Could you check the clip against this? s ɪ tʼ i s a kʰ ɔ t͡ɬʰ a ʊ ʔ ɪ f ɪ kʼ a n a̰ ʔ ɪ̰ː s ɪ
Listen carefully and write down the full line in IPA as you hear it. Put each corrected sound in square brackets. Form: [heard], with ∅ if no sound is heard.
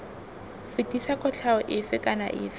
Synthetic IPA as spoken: [f] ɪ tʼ i s a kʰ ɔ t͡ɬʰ a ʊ ʔ ɪ f ɪ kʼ a n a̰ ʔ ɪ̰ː [f] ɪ